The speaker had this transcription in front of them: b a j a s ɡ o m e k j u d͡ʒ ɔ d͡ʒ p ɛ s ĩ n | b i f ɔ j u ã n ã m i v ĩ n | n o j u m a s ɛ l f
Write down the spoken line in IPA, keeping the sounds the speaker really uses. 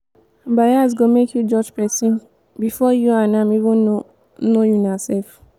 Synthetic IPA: b a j a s ɡ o m e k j u d͡ʒ ɔ d͡ʒ p ɛ s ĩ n | b i f ɔ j u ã n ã m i v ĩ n | n o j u n a s ɛ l f